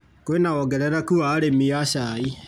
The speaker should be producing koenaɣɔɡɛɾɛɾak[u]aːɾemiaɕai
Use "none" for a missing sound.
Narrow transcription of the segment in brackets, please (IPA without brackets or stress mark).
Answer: u